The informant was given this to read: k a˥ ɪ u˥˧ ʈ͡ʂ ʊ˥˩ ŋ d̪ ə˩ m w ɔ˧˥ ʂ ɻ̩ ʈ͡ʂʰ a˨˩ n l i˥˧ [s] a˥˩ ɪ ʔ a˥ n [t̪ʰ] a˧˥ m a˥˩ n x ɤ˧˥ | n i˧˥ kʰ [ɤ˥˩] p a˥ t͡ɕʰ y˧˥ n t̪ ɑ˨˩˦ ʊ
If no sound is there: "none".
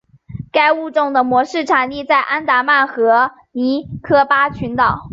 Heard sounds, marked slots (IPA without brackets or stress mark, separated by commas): t͡s, t̪, ɤ˥